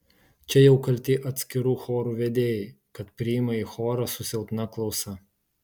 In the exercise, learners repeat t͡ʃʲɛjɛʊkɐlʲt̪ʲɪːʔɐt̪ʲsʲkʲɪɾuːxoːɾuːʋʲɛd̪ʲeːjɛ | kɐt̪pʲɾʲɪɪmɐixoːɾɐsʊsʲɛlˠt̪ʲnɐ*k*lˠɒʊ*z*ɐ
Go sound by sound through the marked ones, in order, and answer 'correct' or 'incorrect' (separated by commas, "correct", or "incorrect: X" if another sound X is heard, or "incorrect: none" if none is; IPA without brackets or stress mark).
correct, incorrect: s